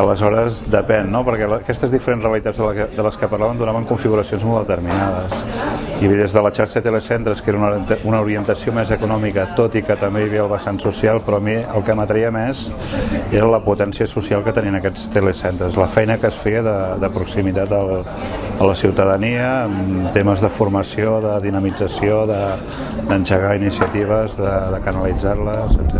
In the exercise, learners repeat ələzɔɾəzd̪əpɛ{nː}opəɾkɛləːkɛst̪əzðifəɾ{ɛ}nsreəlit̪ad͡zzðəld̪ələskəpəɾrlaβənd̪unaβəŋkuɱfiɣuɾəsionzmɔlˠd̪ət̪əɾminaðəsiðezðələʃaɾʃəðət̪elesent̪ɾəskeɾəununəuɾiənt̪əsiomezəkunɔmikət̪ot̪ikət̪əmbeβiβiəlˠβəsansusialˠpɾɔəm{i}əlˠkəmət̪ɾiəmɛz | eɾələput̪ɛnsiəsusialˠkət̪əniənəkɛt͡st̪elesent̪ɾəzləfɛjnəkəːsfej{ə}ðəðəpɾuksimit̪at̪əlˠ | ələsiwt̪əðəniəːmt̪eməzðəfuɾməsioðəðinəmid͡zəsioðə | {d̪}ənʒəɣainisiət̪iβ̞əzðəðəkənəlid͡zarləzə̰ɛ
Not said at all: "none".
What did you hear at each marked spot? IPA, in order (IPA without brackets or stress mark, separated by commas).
nː, e, i, ə, d̪